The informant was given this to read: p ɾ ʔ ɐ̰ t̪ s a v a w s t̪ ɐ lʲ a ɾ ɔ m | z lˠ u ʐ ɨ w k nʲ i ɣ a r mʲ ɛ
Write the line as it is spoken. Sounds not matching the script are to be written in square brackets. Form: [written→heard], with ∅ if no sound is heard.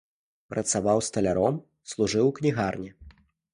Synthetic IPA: p ɾ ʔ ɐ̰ t̪ s a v a w s t̪ ɐ lʲ a ɾ ɔ m | [z→s] lˠ u ʐ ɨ w k nʲ i ɣ a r [mʲ→nʲ] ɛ